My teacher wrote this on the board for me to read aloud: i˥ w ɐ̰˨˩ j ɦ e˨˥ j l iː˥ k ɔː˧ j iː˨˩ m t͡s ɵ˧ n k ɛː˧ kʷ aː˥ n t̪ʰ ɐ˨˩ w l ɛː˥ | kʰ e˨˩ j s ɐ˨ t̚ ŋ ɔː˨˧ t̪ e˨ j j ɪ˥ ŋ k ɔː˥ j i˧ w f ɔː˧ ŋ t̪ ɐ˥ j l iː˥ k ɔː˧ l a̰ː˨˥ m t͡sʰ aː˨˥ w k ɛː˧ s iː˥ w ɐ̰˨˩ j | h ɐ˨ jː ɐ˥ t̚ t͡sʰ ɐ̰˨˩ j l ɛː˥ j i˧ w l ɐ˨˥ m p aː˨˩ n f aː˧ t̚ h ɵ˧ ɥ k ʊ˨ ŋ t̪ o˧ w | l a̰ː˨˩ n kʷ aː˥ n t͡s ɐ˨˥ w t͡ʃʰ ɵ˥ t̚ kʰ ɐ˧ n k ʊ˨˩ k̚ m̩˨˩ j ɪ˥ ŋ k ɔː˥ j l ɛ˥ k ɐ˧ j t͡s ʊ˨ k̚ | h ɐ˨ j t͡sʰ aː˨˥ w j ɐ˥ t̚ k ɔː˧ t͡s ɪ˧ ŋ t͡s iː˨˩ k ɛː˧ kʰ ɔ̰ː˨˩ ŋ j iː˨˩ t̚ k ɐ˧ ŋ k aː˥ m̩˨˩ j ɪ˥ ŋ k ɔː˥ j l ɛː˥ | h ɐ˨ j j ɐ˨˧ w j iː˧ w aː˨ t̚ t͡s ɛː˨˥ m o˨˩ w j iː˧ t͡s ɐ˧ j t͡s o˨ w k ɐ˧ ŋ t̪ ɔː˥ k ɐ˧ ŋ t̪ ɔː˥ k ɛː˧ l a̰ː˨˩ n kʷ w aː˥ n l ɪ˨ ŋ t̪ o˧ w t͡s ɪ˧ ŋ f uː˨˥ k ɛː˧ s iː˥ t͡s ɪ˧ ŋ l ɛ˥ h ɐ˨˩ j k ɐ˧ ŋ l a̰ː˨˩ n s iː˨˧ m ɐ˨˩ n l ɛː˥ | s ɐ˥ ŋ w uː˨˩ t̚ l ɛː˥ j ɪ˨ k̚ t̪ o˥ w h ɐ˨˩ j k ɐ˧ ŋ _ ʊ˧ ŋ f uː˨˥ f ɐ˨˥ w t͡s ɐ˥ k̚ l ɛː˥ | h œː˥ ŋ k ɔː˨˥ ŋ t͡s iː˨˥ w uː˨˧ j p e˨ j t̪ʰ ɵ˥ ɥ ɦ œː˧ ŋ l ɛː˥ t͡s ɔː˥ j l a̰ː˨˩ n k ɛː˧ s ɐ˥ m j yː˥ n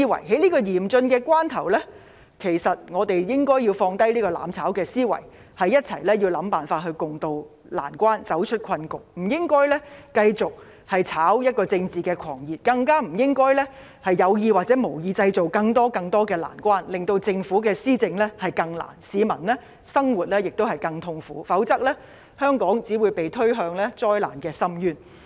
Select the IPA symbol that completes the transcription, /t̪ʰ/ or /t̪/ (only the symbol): t̪ʰ